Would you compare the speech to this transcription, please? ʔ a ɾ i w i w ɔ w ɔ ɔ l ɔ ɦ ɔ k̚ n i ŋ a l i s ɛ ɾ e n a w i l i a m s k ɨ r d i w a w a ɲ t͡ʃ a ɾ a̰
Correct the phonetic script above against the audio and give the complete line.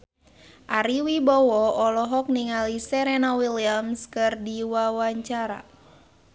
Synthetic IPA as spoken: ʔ a ɾ i w i b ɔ w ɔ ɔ l ɔ ɦ ɔ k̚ n i ŋ a l i s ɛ ɾ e n a w i l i a m s k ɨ r d i w a w a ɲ t͡ʃ a ɾ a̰